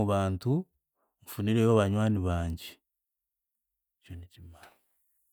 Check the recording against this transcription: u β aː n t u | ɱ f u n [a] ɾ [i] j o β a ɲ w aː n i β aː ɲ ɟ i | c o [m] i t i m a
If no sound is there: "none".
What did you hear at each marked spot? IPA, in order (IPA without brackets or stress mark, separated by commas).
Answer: i, e, n